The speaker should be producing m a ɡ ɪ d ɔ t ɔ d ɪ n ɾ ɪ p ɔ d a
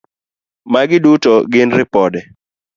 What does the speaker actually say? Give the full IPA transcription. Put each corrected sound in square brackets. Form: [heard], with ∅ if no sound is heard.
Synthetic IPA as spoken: m a ɡ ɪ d [u] t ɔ [ɡ] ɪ n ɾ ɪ p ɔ d [ɛ]